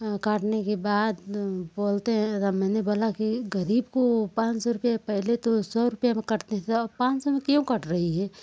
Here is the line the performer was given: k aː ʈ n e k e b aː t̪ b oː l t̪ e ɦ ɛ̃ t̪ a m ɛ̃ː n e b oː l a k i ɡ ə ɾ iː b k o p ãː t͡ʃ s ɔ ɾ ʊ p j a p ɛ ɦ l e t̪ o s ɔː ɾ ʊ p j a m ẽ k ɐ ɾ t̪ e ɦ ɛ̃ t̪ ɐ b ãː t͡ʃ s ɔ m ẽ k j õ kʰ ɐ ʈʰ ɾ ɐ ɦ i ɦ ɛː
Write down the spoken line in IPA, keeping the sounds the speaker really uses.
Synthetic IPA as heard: k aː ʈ n e k e b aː d̪ b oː l t̪ e ɦ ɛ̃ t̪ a m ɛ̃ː n e b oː l a k i ɡ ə ɾ iː b k o p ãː t͡ʃ s ɔ ɾ ʊ p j a p ɛ ɦ l e t̪ o s ɔː ɾ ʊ p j a m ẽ k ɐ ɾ t̪ e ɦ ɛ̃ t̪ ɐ p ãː t͡ʃ s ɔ m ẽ k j õ k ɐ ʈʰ ɾ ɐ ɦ i ɦ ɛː